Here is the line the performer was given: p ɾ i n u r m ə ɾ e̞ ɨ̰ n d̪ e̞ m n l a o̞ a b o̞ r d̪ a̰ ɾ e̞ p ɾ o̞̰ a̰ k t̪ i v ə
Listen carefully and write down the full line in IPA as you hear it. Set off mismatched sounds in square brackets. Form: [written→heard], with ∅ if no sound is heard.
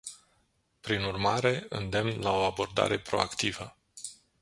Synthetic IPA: p ɾ i n u r m [ə→a] ɾ e̞ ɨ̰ n d̪ e̞ m n l a o̞ a b o̞ r d̪ a̰ ɾ e̞ p ɾ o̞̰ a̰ k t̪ i v ə